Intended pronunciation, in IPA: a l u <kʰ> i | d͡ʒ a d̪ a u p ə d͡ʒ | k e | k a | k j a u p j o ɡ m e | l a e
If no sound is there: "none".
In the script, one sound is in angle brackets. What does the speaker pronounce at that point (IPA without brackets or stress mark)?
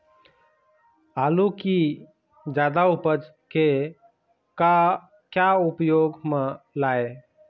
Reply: k